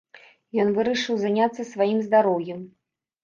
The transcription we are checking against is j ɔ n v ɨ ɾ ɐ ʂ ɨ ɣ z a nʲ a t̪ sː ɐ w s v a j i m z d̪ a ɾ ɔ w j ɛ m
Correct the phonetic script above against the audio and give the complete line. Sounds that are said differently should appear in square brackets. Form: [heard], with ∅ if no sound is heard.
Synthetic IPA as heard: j ɔ n v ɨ ɾ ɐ ʂ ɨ [w] z a nʲ a t̪ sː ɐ [∅] s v a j i m z d̪ a ɾ ɔ w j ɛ m